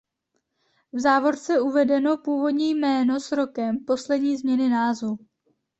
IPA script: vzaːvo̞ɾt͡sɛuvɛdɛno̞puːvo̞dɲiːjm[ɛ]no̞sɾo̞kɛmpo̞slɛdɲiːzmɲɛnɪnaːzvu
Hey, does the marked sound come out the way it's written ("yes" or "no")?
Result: no